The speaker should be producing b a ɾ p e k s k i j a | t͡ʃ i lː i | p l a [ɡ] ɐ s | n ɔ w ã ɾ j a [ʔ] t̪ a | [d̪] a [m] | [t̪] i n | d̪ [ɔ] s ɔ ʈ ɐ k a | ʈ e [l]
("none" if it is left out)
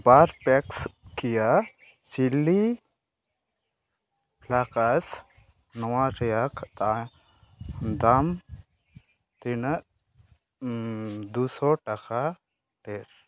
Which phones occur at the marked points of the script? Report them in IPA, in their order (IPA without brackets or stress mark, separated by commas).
k, k, d̪, m, t̪, u, ɾ